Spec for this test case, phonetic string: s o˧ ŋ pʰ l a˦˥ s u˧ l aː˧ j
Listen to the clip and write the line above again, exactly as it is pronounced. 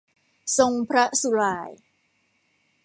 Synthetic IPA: s o˧ ŋ pʰ ɾ a˦˥ s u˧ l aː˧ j